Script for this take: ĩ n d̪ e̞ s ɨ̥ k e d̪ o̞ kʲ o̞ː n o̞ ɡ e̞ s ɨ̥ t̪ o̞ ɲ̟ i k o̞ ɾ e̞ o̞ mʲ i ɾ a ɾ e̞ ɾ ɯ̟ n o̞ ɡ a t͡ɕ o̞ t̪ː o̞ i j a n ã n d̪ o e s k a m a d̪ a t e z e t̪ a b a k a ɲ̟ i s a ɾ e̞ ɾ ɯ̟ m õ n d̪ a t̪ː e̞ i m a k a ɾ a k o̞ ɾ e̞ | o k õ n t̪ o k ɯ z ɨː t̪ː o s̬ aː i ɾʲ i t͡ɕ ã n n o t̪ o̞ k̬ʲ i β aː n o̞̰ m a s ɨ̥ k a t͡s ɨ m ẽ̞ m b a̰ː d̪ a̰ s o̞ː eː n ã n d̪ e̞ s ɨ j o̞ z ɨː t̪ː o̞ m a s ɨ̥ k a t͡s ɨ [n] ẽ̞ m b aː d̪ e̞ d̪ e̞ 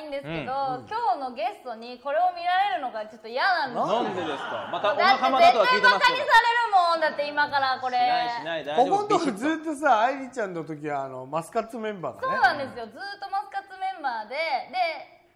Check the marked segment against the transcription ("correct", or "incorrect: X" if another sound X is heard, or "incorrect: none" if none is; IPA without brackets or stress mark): incorrect: m